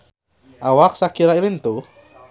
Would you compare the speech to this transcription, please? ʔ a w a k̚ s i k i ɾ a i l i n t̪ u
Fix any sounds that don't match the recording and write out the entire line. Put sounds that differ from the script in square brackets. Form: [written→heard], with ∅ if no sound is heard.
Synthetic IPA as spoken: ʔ a w a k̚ s [i→a] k i ɾ a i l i n t̪ u